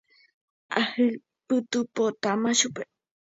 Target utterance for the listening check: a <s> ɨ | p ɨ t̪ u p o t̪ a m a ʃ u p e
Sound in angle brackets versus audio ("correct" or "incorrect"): incorrect